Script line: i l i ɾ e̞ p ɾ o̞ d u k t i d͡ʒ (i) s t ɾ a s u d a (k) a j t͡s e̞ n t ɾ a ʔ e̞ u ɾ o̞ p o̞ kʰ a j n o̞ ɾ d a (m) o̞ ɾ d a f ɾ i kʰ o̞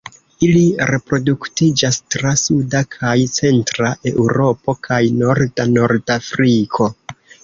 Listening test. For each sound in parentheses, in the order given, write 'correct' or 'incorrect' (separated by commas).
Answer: incorrect, incorrect, incorrect